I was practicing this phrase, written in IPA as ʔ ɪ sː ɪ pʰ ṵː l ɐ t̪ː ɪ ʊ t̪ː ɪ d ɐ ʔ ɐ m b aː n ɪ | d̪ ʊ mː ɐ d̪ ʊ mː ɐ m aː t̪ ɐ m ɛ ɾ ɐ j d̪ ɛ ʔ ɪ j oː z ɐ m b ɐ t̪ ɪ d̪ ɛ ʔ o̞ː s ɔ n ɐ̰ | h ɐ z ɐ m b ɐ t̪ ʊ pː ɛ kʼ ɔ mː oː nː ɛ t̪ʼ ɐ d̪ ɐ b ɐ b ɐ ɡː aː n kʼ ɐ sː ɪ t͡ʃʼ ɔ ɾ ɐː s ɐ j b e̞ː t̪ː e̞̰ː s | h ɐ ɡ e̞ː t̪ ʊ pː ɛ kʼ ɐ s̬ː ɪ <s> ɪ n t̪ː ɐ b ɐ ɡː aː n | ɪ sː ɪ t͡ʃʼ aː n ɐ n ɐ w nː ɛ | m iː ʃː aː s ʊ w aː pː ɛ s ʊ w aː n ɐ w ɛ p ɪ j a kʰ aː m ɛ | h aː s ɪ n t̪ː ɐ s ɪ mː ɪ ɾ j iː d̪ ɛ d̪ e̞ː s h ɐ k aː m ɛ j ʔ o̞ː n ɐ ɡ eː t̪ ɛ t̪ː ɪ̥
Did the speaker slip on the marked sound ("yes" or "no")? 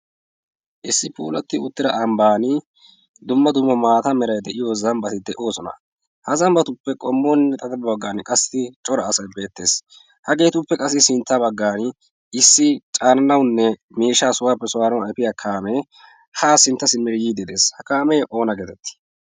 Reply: no